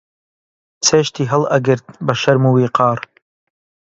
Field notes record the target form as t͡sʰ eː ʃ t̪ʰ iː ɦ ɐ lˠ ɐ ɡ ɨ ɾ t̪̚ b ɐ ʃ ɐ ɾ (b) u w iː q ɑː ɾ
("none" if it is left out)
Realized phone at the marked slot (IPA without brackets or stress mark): m